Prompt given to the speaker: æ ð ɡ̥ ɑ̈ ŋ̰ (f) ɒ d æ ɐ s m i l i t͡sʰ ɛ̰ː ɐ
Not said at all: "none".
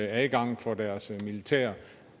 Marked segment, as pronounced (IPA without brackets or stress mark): f